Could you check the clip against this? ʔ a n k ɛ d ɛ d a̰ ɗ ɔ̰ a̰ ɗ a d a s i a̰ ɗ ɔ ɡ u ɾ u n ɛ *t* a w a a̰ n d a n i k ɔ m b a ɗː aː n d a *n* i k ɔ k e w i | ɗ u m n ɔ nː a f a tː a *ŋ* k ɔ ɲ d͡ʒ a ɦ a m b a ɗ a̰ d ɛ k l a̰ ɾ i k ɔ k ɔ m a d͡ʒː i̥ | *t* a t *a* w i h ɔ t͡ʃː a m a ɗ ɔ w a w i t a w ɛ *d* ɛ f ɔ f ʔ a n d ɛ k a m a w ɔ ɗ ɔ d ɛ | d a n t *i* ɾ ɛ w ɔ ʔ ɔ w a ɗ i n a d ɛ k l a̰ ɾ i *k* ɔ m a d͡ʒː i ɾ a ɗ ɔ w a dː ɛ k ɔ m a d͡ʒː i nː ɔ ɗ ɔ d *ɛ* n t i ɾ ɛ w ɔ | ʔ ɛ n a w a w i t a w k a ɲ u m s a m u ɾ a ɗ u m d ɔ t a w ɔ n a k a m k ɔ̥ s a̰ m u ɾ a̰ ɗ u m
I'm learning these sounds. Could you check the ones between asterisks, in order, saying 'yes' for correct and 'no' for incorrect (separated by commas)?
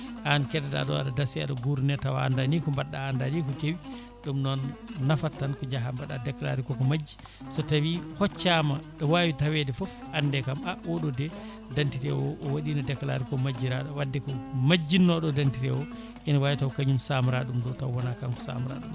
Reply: yes, yes, no, no, yes, yes, yes, yes, no